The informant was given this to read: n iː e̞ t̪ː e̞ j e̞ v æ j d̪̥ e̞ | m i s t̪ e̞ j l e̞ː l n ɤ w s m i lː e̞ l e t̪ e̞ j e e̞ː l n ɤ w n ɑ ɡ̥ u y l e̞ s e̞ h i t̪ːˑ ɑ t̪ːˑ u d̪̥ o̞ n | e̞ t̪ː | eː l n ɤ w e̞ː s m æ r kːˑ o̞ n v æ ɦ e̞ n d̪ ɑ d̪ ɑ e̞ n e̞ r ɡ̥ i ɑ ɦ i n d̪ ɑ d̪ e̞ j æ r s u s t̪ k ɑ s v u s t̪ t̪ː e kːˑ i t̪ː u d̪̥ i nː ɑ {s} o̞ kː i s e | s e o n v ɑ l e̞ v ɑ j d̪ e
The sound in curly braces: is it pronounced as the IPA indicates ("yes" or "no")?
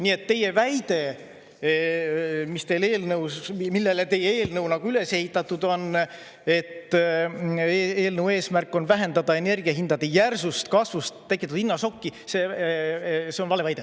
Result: yes